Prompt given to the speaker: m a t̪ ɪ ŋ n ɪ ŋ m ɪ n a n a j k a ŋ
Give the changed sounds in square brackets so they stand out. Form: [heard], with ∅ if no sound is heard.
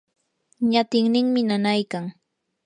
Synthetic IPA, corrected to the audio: [ɲ] a t̪ ɪ ŋ n ɪ ŋ m ɪ n a n a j k a ŋ